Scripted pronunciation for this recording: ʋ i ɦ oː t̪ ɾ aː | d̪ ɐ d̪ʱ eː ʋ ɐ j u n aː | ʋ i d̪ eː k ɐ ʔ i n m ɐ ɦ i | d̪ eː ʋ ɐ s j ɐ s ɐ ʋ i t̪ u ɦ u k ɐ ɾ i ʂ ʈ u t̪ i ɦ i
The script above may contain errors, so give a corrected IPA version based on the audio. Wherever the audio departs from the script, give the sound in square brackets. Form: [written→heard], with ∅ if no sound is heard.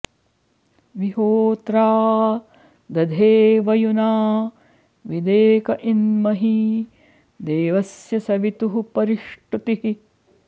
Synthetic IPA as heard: ʋ i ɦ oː t̪ ɾ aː | d̪ ɐ d̪ʱ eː ʋ ɐ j u n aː | ʋ i d̪ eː k ɐ ʔ i n m ɐ ɦ i | d̪ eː ʋ ɐ s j ɐ s ɐ ʋ i t̪ u ɦ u [k→p] ɐ ɾ i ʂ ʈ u t̪ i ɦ i

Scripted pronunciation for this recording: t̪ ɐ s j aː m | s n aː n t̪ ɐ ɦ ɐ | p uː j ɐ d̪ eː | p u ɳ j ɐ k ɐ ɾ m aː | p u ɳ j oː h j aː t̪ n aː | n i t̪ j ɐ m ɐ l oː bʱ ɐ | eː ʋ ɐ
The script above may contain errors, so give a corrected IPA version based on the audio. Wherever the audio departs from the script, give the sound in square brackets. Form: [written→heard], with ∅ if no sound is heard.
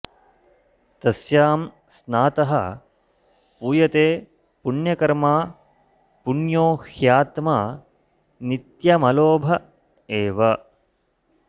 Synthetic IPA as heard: t̪ ɐ s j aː m | s n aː [n→∅] t̪ ɐ ɦ ɐ | p uː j ɐ [d̪→t̪] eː | p u ɳ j ɐ k ɐ ɾ m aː | p u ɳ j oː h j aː t̪ [n→m] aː | n i t̪ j ɐ m ɐ l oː bʱ ɐ | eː ʋ ɐ

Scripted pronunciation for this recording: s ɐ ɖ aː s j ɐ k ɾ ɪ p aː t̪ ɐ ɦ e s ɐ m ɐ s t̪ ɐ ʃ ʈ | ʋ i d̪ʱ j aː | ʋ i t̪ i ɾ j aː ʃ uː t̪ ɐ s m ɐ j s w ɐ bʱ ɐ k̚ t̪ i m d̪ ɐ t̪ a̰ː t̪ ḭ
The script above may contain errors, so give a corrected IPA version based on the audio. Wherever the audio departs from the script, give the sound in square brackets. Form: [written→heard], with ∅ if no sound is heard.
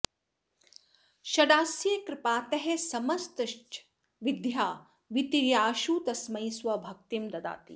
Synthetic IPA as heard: [s→ʃ] ɐ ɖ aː s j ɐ k ɾ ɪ p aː t̪ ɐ ɦ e s ɐ m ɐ s t̪ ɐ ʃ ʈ | ʋ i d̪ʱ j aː | ʋ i t̪ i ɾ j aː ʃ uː t̪ ɐ s m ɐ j s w ɐ bʱ ɐ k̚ t̪ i m d̪ ɐ [t̪→d̪] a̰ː t̪ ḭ

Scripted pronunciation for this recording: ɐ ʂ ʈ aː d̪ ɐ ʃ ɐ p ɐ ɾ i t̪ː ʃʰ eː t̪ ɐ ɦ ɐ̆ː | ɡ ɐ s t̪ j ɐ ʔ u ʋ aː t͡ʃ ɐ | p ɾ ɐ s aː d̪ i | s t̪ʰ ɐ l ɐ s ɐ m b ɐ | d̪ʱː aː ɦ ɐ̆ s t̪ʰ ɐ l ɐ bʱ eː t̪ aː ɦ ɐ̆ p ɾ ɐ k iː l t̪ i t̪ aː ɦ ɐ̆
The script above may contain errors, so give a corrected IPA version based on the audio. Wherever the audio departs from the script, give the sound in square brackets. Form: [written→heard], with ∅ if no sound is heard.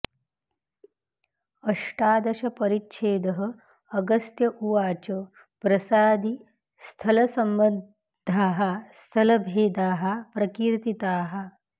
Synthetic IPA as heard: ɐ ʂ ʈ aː d̪ ɐ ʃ ɐ p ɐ ɾ i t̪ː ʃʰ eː [t̪→d̪] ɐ ɦ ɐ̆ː | ɡ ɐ s t̪ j ɐ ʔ u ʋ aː t͡ʃ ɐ | p ɾ ɐ s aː d̪ i | s t̪ʰ ɐ l ɐ s ɐ m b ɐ | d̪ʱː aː ɦ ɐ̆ s t̪ʰ ɐ l ɐ bʱ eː [t̪→d̪] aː ɦ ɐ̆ p ɾ ɐ k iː [l→ɾ] t̪ i t̪ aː ɦ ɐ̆

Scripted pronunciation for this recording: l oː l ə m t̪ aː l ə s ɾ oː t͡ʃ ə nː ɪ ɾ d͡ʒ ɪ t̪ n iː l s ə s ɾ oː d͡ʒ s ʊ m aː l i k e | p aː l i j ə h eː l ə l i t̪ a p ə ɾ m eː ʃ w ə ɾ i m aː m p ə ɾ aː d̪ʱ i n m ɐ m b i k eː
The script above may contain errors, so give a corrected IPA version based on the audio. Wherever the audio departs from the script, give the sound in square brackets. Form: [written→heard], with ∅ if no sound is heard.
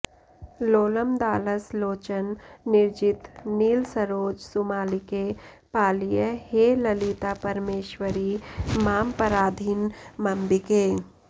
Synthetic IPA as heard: l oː l ə m [t̪→d̪] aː l ə s [ɾ→l] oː t͡ʃ ə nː ɪ ɾ d͡ʒ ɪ t̪ n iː l s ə [s→∅] ɾ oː d͡ʒ s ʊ m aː l i k e | p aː l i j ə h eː l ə l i t̪ a p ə ɾ m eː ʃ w ə ɾ i m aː m p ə ɾ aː d̪ʱ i n m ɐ m b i k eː

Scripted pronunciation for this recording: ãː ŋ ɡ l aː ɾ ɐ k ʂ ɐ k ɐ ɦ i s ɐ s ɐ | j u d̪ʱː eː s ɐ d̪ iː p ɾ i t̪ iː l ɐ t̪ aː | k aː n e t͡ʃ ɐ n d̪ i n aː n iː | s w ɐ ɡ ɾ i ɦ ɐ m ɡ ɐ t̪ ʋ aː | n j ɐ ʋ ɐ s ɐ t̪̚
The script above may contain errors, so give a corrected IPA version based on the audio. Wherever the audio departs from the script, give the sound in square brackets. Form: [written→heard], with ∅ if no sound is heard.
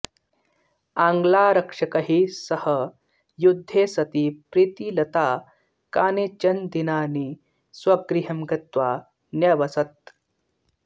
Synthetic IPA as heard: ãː ŋ ɡ l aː ɾ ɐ k ʂ ɐ k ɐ ɦ i s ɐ [s→h] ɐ | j u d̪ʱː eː s ɐ [d̪→t̪] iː p ɾ i t̪ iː l ɐ t̪ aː | k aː n e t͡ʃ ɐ n d̪ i n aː n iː | s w ɐ ɡ ɾ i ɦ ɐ m ɡ ɐ t̪ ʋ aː | n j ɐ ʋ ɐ s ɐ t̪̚

